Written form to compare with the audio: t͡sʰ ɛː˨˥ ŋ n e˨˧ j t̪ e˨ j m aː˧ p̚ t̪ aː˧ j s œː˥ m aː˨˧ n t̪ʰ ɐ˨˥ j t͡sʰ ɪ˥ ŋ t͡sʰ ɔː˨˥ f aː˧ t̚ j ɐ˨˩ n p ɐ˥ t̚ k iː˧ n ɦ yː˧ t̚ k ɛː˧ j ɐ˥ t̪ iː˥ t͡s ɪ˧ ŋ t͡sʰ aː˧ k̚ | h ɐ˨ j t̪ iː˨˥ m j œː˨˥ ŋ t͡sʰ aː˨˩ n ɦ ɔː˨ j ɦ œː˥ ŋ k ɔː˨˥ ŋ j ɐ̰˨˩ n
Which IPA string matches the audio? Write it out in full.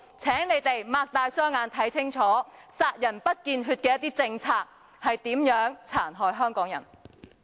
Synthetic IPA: t͡sʰ ɛː˨˥ ŋ n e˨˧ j t̪ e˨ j m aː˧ k̚ t̪ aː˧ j s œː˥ ŋ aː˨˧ n t̪ʰ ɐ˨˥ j t͡sʰ ɪ˥ ŋ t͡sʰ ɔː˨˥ s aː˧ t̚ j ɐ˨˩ n p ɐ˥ t̚ k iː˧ n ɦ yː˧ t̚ k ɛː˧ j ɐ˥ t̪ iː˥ t͡s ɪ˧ ŋ t͡sʰ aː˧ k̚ | h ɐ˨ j t̪ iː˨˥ m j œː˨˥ ŋ t͡sʰ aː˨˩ n ɦ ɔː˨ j ɦ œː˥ ŋ k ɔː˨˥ ŋ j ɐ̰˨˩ n

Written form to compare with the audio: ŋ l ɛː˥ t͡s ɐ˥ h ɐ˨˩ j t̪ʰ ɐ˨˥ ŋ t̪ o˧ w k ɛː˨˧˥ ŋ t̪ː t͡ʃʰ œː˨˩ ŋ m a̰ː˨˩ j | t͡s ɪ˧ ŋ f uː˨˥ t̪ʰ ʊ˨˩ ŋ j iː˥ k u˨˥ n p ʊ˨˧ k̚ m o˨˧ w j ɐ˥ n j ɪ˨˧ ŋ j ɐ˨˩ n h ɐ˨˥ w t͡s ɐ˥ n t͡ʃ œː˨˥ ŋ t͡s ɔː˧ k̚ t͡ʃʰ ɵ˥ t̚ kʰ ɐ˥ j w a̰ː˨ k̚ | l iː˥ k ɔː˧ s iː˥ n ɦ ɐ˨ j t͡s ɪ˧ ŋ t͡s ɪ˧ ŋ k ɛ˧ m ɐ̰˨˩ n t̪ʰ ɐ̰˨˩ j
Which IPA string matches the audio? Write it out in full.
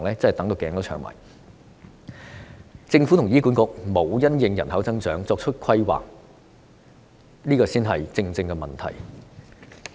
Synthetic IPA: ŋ l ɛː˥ t͡s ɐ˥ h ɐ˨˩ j t̪ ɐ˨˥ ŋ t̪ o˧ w k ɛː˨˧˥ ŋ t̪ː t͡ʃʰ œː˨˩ ŋ m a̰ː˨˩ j | t͡s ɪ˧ ŋ f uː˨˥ t̪ʰ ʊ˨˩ ŋ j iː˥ k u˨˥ n k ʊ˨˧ k̚ m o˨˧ w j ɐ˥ n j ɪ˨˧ ŋ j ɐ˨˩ n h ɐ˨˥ w t͡s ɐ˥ ŋ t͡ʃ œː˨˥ ŋ t͡s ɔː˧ k̚ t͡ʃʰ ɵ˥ t̚ kʰ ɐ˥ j w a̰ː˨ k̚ | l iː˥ k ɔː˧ s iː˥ n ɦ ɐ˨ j t͡s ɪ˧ ŋ t͡s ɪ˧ ŋ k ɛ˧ m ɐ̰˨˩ n t̪ʰ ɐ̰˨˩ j

